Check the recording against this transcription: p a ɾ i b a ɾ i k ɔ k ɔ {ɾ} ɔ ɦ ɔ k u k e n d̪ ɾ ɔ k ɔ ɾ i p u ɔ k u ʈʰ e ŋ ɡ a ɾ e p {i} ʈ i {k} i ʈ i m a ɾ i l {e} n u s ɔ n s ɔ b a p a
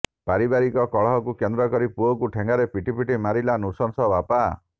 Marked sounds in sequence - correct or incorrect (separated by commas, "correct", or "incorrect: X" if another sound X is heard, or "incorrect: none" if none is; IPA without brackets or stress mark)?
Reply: incorrect: ɭ, correct, incorrect: p, incorrect: a